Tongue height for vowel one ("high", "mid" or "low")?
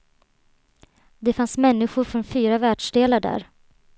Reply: mid